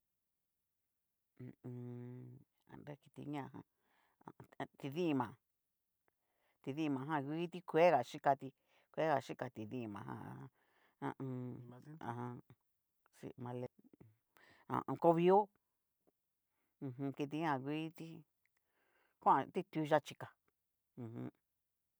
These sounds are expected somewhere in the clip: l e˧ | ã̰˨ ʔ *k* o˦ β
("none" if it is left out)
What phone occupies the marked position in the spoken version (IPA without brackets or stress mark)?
k